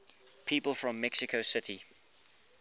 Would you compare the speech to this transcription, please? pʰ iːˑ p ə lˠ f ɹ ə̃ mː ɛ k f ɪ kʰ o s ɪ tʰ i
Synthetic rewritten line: pʰ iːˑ p ə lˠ f ɹ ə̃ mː ɛ k s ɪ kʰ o s ɪ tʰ i